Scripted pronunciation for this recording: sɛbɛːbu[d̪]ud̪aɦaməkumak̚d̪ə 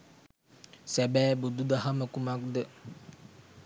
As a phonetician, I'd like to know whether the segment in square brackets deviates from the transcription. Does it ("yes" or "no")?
no